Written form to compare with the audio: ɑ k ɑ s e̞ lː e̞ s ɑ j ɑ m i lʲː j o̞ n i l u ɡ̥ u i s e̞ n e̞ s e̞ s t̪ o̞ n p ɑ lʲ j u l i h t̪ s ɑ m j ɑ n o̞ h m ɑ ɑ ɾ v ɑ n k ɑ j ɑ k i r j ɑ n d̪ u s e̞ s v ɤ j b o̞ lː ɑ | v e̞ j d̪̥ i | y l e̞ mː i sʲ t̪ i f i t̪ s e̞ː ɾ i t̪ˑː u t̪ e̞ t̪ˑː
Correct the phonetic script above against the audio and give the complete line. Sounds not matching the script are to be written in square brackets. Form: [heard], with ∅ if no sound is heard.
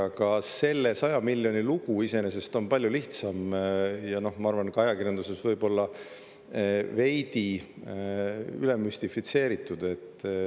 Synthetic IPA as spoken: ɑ k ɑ s e̞ lː e̞ s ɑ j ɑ m i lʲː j o̞ n i l u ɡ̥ u i s e̞ n e̞ s e̞ s t̪ o̞ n p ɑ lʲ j u l i h t̪ s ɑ m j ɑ n o̞ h m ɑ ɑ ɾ v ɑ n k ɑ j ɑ k i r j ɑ n d̪ u s e̞ s v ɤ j b o̞ lː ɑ | v e̞ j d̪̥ i | y l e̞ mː [y] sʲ t̪ i f i t̪ s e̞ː ɾ i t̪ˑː u [d̪] e̞ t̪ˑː